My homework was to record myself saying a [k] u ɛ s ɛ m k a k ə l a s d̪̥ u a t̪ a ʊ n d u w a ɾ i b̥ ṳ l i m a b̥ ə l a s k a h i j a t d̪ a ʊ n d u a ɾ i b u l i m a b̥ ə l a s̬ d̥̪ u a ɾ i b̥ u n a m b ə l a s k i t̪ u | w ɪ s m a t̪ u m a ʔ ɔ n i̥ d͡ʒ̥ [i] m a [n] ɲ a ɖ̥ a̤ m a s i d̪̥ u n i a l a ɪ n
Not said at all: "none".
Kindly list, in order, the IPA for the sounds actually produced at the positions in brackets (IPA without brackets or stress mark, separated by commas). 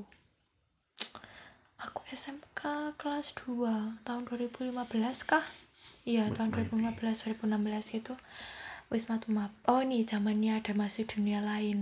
k, a, n